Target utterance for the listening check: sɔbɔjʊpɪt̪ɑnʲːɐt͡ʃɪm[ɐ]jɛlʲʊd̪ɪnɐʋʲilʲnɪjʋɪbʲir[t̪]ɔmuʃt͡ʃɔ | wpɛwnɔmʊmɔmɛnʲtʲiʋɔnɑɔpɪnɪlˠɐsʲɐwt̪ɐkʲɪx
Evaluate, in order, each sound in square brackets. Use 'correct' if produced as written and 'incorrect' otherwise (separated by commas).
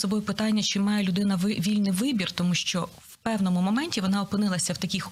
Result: incorrect, correct